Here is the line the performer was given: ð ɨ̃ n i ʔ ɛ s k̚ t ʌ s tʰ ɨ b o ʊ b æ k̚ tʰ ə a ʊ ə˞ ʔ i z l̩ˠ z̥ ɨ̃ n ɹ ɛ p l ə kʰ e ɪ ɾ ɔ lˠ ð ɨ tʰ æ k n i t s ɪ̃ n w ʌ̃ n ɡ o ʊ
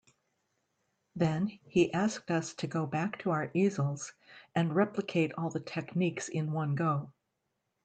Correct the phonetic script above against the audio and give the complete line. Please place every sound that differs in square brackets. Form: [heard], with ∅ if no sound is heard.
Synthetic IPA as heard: ð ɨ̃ n i ʔ [æ] s k̚ t ʌ s tʰ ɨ [ɡ] o ʊ b æ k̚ tʰ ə a ʊ ə˞ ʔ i z l̩ˠ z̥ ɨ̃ n ɹ ɛ p l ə kʰ e ɪ ɾ ɔ lˠ ð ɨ tʰ [ɛ] k n i [k] s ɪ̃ n w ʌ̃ n ɡ o ʊ